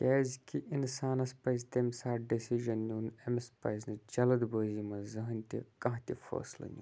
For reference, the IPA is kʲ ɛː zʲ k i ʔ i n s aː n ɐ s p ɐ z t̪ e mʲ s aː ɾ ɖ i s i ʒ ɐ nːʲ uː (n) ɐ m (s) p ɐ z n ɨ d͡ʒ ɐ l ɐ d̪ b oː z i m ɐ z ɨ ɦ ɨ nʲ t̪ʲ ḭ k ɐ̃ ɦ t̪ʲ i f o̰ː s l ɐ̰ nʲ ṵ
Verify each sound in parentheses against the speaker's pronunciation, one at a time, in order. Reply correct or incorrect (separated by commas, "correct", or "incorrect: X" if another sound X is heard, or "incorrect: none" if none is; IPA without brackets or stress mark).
correct, correct